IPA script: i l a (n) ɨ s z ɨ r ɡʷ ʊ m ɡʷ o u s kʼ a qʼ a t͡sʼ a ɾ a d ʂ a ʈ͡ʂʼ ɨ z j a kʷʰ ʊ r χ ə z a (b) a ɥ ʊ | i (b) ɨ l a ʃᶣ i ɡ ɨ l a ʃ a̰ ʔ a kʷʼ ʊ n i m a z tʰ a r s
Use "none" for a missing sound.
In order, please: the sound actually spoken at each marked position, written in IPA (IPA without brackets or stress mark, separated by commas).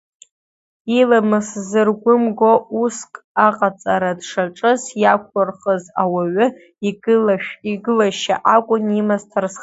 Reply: m, w, ɡ